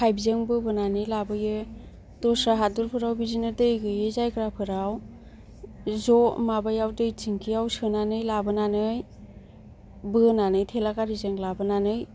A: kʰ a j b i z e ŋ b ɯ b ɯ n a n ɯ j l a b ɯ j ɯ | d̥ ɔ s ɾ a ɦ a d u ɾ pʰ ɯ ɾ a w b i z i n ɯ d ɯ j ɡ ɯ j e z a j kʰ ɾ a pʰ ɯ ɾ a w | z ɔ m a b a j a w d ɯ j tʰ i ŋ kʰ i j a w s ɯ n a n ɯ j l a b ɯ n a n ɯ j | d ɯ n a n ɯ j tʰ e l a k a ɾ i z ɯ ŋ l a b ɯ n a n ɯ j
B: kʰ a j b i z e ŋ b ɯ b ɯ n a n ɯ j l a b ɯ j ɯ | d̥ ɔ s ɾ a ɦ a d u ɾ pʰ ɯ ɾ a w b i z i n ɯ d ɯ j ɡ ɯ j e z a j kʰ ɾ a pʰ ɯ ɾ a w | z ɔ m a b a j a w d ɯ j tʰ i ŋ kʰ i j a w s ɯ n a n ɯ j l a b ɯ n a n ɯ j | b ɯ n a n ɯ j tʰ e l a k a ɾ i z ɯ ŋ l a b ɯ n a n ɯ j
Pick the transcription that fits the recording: B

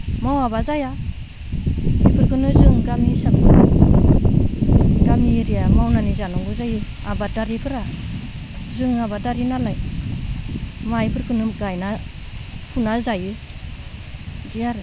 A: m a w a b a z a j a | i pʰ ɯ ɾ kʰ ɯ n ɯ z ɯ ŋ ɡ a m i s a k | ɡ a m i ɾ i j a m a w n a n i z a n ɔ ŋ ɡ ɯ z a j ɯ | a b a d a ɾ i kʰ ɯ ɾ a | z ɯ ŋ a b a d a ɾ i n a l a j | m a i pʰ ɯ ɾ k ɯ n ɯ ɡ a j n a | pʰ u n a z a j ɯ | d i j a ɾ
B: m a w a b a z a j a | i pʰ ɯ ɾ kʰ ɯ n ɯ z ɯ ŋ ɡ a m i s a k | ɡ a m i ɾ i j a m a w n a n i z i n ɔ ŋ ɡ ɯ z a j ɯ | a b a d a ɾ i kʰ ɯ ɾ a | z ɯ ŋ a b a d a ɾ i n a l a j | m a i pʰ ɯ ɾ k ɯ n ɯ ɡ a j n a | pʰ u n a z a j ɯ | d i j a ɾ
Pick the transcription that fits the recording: A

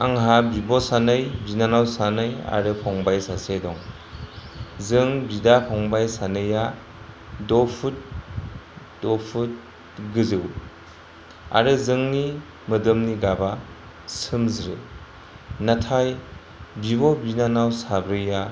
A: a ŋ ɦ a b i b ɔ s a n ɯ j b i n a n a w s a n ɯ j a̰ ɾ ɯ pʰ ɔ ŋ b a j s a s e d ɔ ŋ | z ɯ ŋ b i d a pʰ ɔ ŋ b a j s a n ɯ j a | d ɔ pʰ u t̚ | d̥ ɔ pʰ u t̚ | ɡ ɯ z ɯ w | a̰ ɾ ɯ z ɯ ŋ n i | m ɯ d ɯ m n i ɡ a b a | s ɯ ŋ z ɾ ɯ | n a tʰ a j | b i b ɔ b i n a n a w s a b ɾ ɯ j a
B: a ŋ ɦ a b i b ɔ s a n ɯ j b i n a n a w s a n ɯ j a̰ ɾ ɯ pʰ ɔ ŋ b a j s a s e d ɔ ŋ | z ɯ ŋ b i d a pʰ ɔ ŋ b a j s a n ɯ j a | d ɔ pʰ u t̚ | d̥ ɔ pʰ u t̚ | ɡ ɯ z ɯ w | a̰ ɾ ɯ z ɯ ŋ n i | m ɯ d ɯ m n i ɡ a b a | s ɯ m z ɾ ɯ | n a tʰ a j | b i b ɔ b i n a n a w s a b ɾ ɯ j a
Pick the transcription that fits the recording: B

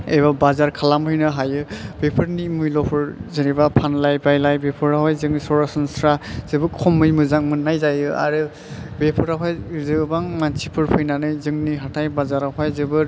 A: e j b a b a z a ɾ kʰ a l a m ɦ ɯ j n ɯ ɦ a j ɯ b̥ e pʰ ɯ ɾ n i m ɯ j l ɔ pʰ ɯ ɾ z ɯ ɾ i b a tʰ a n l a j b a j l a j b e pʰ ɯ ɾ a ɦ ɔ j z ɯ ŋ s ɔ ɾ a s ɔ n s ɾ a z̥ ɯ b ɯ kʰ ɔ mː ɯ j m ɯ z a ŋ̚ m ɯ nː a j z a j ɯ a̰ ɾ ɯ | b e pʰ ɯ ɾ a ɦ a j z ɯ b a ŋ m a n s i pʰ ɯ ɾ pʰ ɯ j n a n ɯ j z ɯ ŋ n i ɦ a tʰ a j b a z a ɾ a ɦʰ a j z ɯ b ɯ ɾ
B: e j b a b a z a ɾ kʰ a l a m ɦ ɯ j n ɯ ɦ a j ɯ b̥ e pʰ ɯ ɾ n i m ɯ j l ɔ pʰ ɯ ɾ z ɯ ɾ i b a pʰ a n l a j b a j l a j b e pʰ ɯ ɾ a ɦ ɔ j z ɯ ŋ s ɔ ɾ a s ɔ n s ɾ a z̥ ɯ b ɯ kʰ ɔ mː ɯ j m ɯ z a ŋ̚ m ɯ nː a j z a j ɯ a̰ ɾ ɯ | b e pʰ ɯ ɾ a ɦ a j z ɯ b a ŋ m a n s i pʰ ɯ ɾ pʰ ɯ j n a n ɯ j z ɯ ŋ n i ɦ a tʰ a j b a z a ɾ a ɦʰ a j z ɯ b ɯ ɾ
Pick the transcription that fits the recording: B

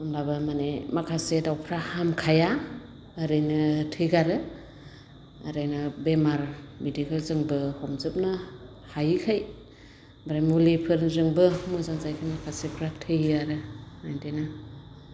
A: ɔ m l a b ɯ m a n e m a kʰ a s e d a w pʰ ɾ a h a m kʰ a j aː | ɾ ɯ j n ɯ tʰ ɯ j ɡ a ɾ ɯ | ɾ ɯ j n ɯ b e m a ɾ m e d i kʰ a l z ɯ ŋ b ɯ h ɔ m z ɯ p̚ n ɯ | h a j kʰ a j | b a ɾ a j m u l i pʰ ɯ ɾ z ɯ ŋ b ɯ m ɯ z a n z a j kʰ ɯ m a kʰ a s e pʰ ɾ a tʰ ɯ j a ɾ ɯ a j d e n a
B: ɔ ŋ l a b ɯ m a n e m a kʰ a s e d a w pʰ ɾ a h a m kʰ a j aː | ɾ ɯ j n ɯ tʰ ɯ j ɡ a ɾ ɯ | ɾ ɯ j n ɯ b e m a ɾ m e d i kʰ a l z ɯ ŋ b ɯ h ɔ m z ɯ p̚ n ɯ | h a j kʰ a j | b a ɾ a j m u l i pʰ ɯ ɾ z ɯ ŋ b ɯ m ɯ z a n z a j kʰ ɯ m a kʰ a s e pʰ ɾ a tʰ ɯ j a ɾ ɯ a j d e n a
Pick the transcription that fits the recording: A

